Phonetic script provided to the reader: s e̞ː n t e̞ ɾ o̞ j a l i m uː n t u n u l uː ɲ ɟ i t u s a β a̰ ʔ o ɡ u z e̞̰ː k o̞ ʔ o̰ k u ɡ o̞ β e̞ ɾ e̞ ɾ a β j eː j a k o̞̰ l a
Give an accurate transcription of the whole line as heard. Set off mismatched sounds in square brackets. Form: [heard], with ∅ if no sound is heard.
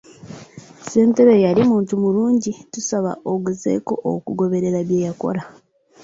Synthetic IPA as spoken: s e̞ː n t e̞ ɾ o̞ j a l i m uː n t u [m] u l uː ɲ ɟ i t u s a β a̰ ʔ o ɡ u z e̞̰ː k o̞ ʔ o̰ k u ɡ o̞ β e̞ ɾ e̞ ɾ a β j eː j a k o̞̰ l a